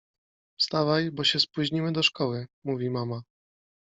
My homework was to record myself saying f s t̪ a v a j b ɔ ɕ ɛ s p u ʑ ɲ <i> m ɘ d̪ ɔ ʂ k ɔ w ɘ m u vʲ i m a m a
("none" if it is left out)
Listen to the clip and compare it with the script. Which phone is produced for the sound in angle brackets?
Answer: i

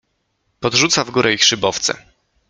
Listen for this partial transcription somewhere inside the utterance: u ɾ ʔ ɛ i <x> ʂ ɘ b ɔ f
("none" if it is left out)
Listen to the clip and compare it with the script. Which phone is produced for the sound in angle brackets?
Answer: x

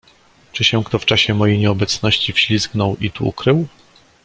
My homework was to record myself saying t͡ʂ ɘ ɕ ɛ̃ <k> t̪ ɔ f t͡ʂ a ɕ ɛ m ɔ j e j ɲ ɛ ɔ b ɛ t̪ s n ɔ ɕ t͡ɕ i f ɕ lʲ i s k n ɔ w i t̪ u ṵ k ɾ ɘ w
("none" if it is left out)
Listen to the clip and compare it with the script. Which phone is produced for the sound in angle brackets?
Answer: k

